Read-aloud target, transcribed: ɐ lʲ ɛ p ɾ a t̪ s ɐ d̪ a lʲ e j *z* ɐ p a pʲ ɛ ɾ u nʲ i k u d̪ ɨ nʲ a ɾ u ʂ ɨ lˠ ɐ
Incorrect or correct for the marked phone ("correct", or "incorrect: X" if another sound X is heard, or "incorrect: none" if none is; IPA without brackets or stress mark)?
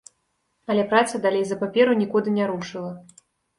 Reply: correct